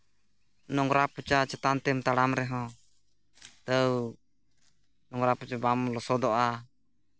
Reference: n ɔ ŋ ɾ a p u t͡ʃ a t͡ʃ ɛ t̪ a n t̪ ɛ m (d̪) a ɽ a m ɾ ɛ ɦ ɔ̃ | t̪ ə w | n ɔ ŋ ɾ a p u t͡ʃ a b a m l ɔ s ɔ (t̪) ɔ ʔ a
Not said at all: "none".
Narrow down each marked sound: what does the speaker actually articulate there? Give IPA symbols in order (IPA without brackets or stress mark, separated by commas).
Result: t̪, d̪